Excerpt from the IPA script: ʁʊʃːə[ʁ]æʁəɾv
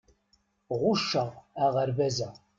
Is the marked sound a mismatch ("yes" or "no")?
no